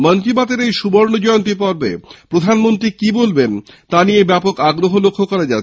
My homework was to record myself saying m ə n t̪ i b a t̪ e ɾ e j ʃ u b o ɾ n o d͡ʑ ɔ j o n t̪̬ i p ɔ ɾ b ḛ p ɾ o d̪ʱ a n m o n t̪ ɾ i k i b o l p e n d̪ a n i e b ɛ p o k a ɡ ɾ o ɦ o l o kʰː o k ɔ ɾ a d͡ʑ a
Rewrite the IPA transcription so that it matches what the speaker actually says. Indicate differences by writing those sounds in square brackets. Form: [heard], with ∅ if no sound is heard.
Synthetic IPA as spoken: m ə n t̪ i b a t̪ e ɾ e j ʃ u b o ɾ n o d͡ʑ ɔ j o n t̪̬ i p ɔ ɾ b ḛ p ɾ o d̪ʱ a n m o n t̪ ɾ i k i b o l [b] e n [t̪] a n i e b ɛ p o k a ɡ ɾ o ɦ o l o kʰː o k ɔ ɾ a d͡ʑ a